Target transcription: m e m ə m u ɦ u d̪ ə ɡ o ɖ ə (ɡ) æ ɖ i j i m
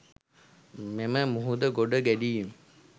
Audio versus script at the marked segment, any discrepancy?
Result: no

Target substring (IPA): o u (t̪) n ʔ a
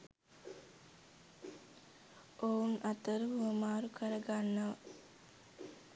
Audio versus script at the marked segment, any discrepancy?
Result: yes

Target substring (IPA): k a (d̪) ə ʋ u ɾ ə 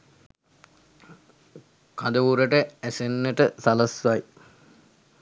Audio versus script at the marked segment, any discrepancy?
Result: no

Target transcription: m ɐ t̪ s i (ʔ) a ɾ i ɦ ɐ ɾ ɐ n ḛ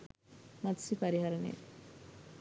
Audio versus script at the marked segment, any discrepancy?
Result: yes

